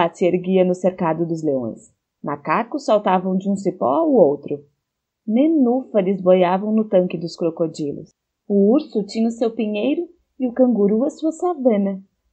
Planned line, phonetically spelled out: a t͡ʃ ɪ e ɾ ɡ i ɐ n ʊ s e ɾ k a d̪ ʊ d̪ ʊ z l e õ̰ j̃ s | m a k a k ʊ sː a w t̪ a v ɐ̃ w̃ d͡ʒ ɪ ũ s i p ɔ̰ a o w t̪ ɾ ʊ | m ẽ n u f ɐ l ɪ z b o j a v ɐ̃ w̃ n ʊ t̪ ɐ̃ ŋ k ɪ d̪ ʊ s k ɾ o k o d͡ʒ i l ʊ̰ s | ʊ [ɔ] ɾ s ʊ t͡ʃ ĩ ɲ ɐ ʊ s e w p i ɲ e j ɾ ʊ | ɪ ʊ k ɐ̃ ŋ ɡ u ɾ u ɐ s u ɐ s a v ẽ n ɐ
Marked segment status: incorrect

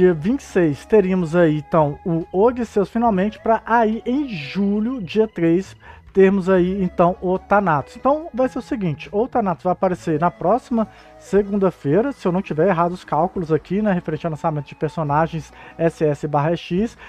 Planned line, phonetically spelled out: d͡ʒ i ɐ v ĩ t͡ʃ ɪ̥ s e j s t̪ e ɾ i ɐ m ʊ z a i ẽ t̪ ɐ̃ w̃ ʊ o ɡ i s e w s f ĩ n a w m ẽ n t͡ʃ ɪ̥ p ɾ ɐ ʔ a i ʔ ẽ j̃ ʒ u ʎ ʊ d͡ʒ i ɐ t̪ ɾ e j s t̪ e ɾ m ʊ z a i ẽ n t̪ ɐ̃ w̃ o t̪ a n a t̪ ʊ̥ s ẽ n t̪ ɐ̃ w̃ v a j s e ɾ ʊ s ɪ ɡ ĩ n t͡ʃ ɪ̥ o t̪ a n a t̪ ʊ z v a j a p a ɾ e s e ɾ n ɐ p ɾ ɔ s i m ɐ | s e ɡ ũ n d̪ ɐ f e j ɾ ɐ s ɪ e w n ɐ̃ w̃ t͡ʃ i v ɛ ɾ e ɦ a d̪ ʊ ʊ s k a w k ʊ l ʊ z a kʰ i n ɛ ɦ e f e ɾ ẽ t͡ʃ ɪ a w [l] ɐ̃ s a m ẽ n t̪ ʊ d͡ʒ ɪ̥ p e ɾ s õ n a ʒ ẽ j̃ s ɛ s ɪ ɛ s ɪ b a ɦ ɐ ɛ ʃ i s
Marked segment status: correct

